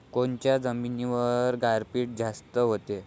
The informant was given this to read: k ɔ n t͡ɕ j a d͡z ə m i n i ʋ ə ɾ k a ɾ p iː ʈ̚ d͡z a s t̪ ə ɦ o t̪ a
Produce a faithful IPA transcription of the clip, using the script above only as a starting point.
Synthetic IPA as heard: k o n t͡ɕ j a d͡z ə m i n i ʋ ə ɾ ɡ a ɾ p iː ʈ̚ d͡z a s t̪ ə ɦ o t̪ e